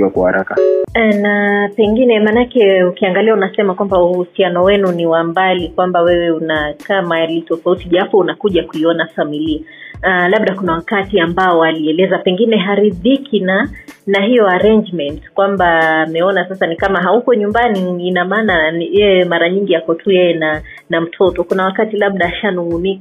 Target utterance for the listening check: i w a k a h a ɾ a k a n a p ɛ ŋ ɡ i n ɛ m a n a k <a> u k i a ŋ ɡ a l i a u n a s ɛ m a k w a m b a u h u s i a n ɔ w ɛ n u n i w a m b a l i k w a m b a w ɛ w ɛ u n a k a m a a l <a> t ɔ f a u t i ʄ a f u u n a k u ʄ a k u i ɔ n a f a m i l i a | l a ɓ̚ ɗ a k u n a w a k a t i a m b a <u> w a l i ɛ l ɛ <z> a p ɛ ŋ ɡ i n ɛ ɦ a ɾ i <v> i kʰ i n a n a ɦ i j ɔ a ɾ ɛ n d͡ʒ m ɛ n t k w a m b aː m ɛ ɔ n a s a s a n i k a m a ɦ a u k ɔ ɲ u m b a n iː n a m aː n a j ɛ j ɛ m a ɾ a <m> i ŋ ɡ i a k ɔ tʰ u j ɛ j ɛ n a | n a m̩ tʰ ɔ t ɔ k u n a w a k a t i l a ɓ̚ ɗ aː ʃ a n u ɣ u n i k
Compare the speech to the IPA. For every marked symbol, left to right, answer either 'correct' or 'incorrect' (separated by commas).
incorrect, incorrect, incorrect, correct, incorrect, incorrect